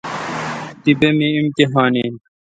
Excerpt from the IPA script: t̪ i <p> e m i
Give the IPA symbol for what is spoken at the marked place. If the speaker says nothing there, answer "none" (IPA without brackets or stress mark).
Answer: b